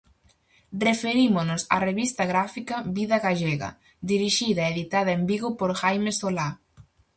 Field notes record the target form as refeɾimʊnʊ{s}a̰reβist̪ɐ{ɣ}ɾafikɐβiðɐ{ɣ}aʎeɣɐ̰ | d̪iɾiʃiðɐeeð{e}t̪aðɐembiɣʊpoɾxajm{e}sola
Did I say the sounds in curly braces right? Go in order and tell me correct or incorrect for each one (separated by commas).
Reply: correct, correct, correct, incorrect, correct